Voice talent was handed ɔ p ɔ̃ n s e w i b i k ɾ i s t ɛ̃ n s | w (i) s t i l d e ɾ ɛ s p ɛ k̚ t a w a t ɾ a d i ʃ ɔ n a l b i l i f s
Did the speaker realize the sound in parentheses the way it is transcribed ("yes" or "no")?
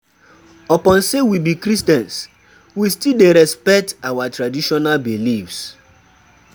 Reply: yes